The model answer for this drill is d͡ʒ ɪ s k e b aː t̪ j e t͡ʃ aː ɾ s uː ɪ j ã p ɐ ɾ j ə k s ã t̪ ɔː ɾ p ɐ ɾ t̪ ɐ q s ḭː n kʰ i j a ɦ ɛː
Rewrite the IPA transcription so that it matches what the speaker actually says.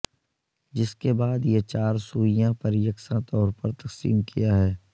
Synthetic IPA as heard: d͡ʒ ɪ s k e b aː d̪ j e t͡ʃ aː ɾ s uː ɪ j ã p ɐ ɾ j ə k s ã t̪ ɔː ɾ p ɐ ɾ t̪ ɐ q s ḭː m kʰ i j a ɦ ɛː